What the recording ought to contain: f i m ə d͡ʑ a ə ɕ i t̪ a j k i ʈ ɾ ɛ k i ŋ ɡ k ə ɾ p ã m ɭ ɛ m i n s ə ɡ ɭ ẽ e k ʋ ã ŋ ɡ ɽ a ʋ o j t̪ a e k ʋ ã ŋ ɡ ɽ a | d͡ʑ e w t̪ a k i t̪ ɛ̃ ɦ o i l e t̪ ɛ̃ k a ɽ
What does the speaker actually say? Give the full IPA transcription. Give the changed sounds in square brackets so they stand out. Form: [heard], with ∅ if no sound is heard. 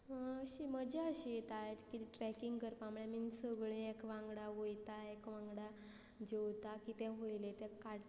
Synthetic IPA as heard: [ɕ] i m ə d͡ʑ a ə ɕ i t̪ a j k i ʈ ɾ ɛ k i ŋ ɡ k ə ɾ p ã m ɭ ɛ m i n s ə ɡ ɭ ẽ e k ʋ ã ŋ ɡ ɽ a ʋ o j t̪ a e k ʋ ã ŋ ɡ ɽ a | d͡ʑ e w t̪ a k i t̪ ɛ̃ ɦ o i l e t̪ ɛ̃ k a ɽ